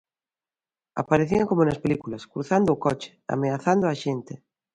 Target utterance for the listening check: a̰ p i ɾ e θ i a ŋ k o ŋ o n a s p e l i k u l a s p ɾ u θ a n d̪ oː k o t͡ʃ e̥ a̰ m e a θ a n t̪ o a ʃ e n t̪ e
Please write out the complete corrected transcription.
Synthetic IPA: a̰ p a ɾ e θ i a ŋ k o m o n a s p e l i k u l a s k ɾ u θ a n d̪ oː k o t͡ʃ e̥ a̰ m e a θ a n d̪ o a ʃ e n t̪ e